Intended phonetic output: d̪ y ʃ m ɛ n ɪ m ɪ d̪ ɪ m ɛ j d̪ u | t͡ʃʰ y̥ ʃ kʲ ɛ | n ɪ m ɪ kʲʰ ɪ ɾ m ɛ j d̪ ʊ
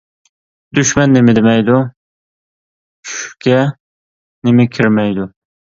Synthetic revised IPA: d̪ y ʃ m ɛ nː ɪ m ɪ d̪ ɪ m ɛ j d̪ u | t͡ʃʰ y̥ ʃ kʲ ɛ | n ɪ m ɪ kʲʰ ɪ ɾ m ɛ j d̪ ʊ